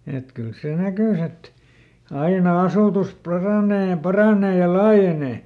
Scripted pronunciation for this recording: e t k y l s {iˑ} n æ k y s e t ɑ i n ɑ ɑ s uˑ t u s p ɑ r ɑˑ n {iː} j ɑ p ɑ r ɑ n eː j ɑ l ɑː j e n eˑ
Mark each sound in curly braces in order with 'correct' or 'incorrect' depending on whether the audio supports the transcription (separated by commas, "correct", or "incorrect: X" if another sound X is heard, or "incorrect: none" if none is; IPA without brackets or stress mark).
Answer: incorrect: eˑ, incorrect: eː